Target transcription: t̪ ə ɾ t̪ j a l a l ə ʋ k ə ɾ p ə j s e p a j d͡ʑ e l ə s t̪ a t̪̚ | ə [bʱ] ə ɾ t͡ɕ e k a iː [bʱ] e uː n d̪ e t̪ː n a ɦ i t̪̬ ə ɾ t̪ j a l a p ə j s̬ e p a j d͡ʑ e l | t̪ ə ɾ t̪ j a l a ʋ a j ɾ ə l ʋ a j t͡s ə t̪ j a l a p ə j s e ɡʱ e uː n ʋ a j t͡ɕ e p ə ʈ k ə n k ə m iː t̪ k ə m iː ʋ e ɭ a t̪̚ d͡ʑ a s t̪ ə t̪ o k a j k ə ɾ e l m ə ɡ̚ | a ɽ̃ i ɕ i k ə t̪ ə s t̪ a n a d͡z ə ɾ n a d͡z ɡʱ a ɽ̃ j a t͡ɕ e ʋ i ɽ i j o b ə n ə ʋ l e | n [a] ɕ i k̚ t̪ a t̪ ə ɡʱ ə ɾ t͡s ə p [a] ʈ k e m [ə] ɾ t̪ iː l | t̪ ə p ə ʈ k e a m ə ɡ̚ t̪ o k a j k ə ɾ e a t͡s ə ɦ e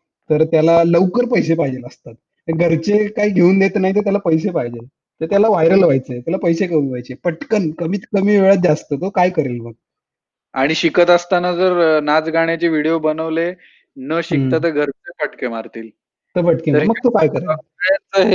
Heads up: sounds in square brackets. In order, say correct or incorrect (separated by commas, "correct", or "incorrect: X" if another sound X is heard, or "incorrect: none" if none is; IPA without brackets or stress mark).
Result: incorrect: ɡʱ, incorrect: ɡʱ, incorrect: ə, incorrect: ə, incorrect: a